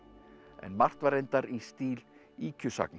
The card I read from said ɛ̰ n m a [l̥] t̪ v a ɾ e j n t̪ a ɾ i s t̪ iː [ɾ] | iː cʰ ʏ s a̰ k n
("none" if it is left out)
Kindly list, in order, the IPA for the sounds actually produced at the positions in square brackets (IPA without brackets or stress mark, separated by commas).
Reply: r̥, l